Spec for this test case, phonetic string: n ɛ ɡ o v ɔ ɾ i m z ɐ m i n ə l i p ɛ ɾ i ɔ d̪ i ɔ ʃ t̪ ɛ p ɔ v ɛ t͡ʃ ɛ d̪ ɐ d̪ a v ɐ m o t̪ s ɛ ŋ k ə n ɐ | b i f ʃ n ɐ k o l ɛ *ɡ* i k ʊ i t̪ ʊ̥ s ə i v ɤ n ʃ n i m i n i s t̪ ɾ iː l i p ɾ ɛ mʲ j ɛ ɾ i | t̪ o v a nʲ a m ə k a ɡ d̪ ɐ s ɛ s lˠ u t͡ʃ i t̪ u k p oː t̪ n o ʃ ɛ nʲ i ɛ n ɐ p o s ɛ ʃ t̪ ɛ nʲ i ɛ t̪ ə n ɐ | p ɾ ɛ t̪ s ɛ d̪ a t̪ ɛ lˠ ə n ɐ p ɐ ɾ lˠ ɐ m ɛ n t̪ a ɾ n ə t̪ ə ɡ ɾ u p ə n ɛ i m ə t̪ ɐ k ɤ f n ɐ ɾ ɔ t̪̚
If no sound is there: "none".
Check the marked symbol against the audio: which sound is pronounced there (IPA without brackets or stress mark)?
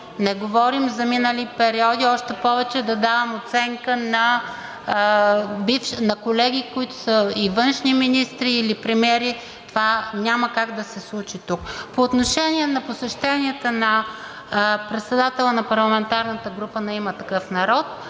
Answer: ɡ